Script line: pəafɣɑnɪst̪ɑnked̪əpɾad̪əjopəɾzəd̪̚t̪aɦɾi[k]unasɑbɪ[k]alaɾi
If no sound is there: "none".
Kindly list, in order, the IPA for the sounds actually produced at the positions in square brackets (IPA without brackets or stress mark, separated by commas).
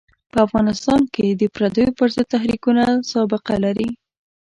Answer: k, q